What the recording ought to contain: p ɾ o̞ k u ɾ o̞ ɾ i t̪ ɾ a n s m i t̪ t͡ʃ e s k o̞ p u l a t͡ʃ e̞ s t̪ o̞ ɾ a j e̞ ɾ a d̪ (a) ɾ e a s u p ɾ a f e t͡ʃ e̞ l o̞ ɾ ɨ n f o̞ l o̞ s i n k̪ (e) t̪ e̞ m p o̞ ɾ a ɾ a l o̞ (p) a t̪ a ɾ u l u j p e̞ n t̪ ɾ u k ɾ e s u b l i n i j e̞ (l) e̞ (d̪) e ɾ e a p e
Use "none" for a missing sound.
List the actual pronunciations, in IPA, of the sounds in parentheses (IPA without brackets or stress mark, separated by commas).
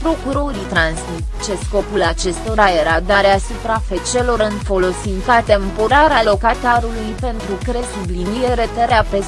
a, a, k, ɾ, t̪